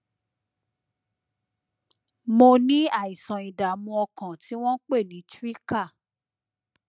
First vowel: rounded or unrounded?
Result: rounded